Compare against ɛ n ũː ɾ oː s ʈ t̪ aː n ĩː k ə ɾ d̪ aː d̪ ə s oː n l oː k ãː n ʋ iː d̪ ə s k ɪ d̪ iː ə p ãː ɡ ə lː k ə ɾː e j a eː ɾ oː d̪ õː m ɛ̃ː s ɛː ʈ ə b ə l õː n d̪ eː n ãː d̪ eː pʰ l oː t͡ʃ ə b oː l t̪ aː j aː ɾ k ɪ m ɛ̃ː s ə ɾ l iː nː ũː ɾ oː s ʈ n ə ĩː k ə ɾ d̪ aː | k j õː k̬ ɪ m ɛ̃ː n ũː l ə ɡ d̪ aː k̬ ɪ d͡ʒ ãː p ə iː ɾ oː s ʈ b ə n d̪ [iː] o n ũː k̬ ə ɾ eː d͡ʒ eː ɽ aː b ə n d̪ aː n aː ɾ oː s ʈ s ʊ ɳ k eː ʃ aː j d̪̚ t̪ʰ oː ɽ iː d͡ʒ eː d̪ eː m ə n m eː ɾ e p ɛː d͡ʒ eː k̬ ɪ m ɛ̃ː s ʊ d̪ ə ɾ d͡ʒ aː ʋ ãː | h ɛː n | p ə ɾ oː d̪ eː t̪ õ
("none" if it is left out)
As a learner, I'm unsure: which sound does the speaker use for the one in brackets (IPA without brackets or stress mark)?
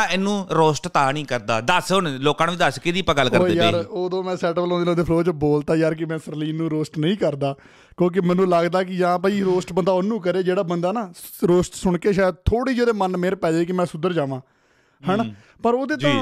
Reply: aː